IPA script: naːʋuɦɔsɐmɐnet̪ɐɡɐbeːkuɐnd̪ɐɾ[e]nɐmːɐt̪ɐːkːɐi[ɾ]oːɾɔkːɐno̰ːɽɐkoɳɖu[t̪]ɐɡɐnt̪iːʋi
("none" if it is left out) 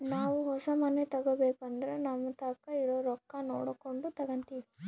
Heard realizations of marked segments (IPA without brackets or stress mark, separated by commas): e, ɾ, t̪